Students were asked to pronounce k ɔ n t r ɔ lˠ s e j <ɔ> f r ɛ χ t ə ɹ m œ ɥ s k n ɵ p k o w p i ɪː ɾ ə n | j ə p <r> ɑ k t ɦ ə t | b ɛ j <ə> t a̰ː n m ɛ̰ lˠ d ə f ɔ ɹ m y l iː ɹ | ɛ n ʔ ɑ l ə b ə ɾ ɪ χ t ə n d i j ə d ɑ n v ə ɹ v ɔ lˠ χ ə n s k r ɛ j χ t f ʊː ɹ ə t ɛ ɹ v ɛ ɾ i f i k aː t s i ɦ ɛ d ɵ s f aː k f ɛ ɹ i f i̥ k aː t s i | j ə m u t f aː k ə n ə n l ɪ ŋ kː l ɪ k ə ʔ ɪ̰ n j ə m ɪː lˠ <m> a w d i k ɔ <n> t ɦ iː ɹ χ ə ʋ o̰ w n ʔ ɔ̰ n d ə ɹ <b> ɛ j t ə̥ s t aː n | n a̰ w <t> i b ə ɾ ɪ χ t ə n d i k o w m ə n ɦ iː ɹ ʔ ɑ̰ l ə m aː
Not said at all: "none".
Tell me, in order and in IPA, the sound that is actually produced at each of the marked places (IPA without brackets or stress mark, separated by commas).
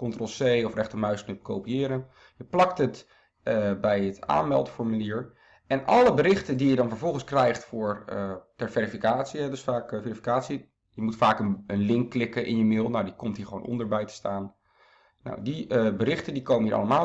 ɔ, l, ə, n, m, b, d